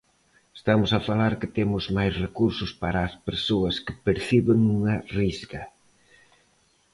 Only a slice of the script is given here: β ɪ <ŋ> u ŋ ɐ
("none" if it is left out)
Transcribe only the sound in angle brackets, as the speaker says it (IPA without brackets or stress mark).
ŋ